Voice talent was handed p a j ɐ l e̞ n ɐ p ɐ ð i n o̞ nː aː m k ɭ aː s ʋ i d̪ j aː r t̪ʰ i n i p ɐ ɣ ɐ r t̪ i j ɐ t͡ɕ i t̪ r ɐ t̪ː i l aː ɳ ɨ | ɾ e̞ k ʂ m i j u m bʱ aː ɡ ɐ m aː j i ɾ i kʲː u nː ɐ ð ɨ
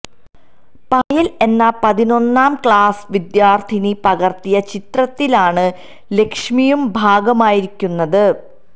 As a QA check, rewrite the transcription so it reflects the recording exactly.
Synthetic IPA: p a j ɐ l e̞ nː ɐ p ɐ ð i n o̞ nː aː m k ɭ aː s ʋ i d̪ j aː r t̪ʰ i n i p ɐ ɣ ɐ r t̪ i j ɐ t͡ɕ i t̪ r ɐ t̪ː i l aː ɳ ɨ | l e̞ k ʂ m i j u m bʱ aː ɡ ɐ m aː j i ɾ i kʲː u nː ɐ ð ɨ